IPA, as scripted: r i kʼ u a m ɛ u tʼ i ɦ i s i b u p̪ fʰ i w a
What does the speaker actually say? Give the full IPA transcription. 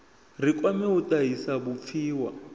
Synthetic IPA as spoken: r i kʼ w a m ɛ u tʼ a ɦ i s a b u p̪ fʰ iː w a